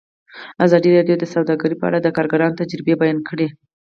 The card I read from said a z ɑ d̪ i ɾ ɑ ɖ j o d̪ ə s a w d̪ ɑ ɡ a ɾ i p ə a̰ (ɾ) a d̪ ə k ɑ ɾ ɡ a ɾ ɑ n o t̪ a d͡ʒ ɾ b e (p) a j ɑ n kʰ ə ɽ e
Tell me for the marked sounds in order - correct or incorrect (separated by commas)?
incorrect, incorrect